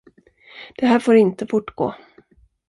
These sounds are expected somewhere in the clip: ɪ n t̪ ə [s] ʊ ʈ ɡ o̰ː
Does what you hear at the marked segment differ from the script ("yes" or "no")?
yes